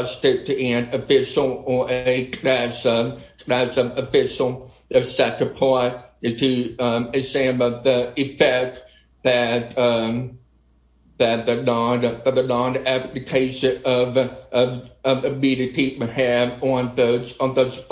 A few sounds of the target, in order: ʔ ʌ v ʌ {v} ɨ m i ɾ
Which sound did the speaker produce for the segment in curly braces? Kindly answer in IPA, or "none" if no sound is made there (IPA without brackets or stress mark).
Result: v